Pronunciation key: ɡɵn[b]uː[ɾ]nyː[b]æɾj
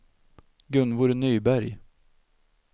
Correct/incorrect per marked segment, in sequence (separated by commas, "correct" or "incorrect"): incorrect, correct, correct